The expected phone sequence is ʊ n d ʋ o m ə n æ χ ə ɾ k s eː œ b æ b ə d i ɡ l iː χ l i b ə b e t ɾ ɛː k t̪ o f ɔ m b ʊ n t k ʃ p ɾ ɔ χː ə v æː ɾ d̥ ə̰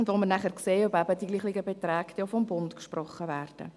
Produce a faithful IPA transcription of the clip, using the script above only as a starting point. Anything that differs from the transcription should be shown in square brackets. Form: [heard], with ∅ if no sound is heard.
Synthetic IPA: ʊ n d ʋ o m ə n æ χ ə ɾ k s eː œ b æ b ə d i ɡ l iː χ l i [ɡ] ə b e t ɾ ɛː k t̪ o f ɔ m b ʊ n t k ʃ p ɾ ɔ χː ə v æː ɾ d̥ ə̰